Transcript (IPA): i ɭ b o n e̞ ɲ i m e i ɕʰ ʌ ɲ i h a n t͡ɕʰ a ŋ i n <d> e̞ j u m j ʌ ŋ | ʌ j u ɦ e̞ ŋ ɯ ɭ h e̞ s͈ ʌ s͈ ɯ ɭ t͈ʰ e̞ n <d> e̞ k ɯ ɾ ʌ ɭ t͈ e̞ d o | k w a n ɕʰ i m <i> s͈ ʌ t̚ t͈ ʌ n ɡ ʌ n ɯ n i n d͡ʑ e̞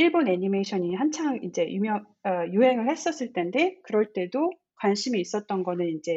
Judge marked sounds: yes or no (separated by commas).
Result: no, yes, no